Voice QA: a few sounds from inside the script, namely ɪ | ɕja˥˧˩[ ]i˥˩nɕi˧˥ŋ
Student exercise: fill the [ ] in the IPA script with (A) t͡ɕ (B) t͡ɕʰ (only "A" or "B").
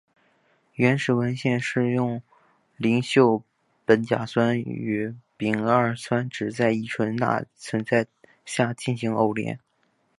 A